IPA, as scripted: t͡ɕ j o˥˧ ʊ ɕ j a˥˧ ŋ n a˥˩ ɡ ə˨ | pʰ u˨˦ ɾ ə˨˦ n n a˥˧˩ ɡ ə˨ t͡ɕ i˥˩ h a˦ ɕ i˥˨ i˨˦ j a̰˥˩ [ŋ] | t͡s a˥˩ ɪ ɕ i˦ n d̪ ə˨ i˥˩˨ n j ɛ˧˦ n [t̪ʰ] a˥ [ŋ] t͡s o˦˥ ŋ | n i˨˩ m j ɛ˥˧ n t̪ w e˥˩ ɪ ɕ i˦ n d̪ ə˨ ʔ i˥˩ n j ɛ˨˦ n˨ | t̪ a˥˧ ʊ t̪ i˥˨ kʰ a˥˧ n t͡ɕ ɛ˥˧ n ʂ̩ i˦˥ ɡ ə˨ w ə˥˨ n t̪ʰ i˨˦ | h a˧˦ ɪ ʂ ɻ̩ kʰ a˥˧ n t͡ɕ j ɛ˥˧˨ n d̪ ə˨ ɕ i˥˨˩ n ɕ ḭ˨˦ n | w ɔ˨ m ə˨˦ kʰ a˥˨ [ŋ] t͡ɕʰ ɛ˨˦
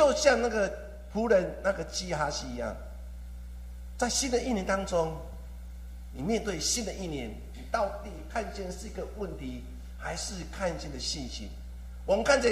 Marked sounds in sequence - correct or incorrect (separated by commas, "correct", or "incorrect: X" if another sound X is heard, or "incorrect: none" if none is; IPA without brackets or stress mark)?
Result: correct, incorrect: t̪, correct, incorrect: n